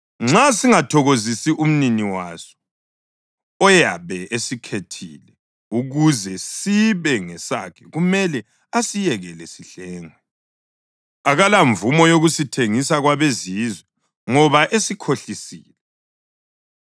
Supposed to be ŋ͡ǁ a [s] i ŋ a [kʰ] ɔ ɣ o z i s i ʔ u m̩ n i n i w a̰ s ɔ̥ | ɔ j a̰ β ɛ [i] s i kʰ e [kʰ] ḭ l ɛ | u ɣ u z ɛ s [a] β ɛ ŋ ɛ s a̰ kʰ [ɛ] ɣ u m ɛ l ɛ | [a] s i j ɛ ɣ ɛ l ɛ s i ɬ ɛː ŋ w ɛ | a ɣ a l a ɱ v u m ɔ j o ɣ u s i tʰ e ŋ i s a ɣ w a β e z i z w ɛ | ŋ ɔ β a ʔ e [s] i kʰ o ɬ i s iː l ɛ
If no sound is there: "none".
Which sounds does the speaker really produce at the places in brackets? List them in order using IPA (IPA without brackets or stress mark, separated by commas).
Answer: s, tʰ, e, tʰ, i, ɛ, a, s